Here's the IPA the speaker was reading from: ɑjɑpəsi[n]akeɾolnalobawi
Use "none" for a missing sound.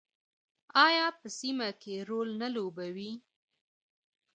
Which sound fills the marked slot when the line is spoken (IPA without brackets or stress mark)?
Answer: m